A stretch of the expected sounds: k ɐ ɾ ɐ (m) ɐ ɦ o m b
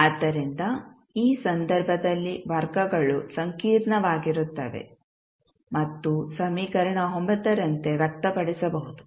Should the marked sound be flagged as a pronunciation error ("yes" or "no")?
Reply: yes